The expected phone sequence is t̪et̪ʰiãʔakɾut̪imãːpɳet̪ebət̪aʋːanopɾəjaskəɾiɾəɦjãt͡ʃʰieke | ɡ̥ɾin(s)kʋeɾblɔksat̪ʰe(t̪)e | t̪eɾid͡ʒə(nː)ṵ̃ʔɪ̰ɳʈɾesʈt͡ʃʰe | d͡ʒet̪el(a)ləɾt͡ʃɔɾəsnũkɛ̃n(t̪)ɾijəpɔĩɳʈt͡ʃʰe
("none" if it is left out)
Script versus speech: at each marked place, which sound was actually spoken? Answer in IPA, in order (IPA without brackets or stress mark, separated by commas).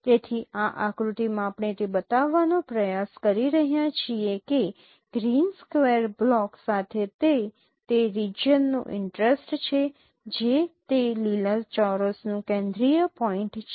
s, t̪, nː, i, d̪